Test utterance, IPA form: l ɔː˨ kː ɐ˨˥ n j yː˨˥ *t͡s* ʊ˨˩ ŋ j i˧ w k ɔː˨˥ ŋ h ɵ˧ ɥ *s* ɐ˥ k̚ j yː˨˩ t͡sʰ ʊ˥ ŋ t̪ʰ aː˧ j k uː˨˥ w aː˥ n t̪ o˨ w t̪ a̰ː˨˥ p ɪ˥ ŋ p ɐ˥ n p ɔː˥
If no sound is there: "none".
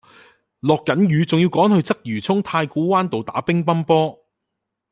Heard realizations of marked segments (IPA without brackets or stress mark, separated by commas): t͡s, t͡s